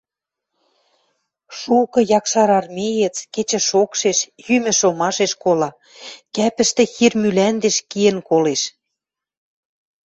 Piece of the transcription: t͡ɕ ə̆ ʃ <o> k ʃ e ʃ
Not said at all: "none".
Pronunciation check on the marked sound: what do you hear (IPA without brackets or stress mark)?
o